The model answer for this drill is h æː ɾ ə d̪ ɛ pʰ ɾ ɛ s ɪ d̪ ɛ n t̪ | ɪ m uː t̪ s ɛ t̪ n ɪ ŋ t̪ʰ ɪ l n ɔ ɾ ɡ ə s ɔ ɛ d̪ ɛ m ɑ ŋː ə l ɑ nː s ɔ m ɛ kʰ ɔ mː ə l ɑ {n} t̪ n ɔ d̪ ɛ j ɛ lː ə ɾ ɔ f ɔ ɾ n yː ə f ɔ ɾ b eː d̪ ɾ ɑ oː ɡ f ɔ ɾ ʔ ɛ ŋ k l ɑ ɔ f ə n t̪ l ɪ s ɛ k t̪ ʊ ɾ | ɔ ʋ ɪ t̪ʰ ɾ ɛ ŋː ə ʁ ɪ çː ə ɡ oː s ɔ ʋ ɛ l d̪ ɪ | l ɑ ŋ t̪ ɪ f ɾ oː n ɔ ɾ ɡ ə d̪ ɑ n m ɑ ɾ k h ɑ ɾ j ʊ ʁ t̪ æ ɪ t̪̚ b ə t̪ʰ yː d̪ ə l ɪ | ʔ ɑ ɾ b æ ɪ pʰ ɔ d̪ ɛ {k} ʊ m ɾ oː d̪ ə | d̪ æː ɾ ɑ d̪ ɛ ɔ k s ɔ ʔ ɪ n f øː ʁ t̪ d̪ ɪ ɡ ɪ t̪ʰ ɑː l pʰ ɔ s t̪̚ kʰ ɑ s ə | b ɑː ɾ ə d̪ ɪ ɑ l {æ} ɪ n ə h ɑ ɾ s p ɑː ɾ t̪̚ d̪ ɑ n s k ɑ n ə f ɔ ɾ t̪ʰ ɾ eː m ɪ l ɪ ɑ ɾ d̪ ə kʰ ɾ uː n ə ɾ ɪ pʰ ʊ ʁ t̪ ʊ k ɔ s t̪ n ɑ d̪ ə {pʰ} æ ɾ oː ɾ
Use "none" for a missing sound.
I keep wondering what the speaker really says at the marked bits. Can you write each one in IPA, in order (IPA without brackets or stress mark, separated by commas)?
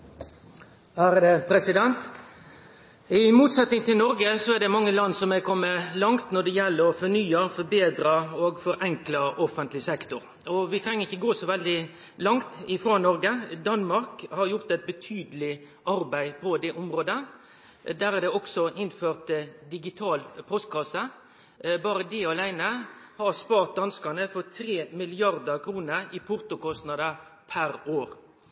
ŋ, ʔ, æ, pʰ